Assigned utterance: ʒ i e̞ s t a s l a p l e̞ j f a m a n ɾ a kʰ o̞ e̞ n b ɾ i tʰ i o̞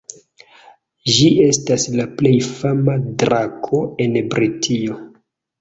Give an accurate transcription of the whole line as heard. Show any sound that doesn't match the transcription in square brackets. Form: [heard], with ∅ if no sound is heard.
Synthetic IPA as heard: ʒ i e̞ s t a s l a p l e̞ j f a m a [d] ɾ a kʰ o̞ e̞ n b ɾ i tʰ i o̞